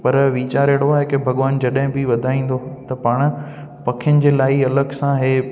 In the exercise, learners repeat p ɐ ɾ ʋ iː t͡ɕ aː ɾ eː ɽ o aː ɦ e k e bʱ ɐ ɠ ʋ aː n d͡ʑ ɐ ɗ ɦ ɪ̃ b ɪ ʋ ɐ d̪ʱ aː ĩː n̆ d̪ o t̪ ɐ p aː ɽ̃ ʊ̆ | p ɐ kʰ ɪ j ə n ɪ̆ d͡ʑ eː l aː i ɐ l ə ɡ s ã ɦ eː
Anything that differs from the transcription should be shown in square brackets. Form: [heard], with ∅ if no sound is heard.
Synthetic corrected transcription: p ɐ ɾ ʋ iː t͡ɕ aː ɾ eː ɽ o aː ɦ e k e bʱ ɐ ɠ ʋ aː n d͡ʑ ɐ ɗ ɦ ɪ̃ b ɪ ʋ ɐ d̪ʱ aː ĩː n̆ d̪ o t̪ ɐ p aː ɽ̃ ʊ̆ | p ɐ kʰ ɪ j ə n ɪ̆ d͡ʑ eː l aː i ɐ l ə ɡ s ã ɦ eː

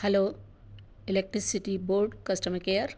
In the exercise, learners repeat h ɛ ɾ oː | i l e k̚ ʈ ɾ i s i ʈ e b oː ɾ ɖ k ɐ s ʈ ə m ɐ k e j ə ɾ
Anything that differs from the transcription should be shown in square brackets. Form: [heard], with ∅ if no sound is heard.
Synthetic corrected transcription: h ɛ [l] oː | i l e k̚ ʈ ɾ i s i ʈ [i] b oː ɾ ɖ k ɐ s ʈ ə m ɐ k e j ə ɾ

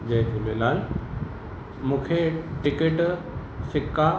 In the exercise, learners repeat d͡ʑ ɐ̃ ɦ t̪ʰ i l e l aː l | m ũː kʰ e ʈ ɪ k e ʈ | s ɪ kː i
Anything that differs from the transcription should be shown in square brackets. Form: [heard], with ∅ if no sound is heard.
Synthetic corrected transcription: d͡ʑ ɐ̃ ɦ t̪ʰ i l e l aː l | m ũː kʰ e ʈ ɪ k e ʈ | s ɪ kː [a]

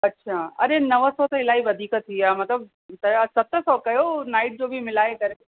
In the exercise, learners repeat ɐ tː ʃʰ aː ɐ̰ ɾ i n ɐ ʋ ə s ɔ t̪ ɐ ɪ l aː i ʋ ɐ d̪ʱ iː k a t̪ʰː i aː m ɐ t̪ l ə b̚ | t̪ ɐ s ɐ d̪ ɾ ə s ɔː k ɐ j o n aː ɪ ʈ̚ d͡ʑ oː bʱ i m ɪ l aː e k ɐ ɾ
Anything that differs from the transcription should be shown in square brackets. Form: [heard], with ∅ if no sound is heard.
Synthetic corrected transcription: ɐ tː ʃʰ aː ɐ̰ ɾ [e] n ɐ ʋ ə s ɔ t̪ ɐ ɪ l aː i ʋ ɐ d̪ʱ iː k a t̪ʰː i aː m ɐ t̪ l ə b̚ | t̪ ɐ s ɐ [t̪] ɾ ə s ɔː k ɐ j o n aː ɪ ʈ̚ d͡ʑ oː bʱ i m ɪ l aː e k ɐ ɾ

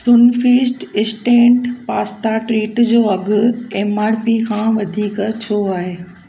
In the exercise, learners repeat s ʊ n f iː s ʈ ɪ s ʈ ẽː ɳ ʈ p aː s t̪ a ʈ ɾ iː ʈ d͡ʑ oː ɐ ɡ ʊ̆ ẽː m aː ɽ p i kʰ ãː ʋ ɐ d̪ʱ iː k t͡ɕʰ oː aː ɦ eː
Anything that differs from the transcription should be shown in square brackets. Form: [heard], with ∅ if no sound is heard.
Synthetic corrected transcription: s ʊ n f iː s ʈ ɪ s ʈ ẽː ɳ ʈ p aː s t̪ a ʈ ɾ iː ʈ d͡ʑ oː ɐ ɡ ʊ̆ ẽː m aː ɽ p i kʰ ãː ʋ ɐ d̪ʱ iː k t͡ɕʰ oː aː ɦ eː

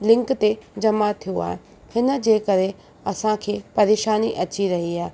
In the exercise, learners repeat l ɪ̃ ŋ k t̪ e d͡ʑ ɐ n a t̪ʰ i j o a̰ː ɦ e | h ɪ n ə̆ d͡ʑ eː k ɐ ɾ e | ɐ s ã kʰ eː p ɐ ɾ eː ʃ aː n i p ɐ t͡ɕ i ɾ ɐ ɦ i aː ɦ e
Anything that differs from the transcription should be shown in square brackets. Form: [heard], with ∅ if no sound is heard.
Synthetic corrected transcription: l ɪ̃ ŋ k t̪ e d͡ʑ ɐ [m] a t̪ʰ i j o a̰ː ɦ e | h ɪ n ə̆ d͡ʑ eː k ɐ ɾ e | ɐ s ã kʰ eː p ɐ ɾ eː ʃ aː n i [ʔ] ɐ t͡ɕ i ɾ ɐ ɦ i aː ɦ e

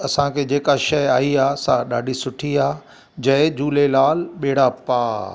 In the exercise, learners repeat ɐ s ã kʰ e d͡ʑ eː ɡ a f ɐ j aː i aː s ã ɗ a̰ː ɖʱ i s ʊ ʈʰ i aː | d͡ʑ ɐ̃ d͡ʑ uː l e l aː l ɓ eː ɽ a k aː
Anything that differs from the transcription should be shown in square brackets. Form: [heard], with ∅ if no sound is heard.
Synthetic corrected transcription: ɐ s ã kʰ e d͡ʑ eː [k] a [ʃ] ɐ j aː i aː s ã ɗ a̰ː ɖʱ i s ʊ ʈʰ i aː | d͡ʑ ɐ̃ d͡ʑ uː l e l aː l ɓ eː ɽ a [p] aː

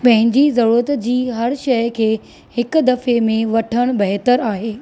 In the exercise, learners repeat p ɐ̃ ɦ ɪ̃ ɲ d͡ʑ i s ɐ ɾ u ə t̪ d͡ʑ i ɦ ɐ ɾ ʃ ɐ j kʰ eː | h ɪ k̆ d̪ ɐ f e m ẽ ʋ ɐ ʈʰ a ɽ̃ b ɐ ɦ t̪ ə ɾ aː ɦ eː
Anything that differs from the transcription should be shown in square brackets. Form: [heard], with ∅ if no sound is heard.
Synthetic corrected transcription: p ɐ̃ ɦ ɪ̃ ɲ d͡ʑ i [z] ɐ ɾ u ə t̪ d͡ʑ [iː] ɦ ɐ ɾ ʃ ɐ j kʰ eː | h ɪ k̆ d̪ ɐ f e m ẽ ʋ ɐ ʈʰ [ə] ɽ̃ b ɐ ɦ t̪ ə ɾ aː ɦ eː

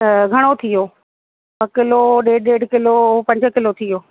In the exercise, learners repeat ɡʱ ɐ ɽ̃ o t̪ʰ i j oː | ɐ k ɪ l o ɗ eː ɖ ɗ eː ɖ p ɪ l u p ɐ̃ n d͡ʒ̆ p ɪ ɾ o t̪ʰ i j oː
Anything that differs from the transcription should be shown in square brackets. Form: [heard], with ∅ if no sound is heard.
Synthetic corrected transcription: ɡʱ ɐ ɽ̃ o t̪ʰ i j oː | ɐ k ɪ l o ɗ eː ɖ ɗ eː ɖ [k] ɪ l [o] p ɐ̃ [ɲ] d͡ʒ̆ [k] ɪ [l] o t̪ʰ i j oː

